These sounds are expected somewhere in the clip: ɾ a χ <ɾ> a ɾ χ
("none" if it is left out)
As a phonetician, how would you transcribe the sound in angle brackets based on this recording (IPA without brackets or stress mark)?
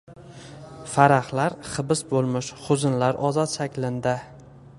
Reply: l